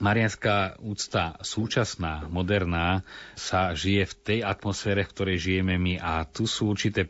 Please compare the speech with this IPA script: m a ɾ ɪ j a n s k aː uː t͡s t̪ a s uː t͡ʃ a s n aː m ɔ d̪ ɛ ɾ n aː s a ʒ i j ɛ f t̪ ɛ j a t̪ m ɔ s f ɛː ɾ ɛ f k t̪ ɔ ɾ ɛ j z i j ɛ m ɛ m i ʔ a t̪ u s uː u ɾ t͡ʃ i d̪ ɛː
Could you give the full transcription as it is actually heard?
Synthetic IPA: m a ɾ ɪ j a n s k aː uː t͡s t̪ a s uː t͡ʃ a s n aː m ɔ d̪ ɛ ɾ n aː s a ʒ i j ɛ f t̪ ɛ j a t̪ m ɔ s f ɛː ɾ ɛ f k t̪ ɔ ɾ ɛ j ʒ i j ɛ m ɛ m i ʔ a t̪ u s uː u ɾ t͡ʃ i t̪ ɛː